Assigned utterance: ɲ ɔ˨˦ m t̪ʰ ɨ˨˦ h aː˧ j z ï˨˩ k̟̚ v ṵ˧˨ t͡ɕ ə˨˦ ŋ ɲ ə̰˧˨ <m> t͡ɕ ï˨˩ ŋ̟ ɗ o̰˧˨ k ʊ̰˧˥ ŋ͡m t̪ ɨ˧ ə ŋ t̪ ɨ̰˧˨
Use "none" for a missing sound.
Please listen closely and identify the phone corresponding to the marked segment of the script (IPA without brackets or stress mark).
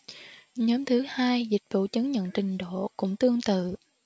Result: n